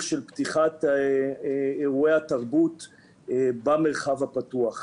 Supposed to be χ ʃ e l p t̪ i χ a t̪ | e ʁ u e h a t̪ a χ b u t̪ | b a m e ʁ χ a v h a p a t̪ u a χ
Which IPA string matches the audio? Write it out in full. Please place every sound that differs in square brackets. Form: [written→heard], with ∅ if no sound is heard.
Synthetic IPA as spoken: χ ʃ e l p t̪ i χ a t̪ | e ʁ u e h a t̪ a [χ→ʁ] b u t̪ | b a m e ʁ χ a v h a p a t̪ u a χ